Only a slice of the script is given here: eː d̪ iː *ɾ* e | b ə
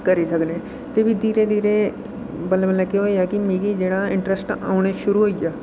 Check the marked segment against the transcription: correct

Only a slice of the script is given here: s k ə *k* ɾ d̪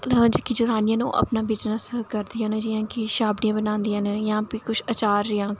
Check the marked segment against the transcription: incorrect: none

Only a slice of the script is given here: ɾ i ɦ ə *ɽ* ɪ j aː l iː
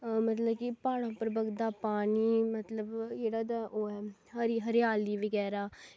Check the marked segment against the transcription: incorrect: ɾ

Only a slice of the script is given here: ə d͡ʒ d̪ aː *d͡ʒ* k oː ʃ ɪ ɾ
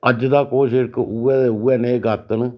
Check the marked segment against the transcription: incorrect: none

